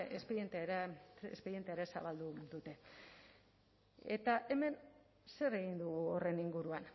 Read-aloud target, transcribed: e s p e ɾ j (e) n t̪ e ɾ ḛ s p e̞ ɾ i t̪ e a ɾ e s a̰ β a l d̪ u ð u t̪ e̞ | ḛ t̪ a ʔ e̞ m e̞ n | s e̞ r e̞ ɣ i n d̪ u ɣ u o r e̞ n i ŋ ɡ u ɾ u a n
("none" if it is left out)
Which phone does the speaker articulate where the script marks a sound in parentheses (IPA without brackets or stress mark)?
e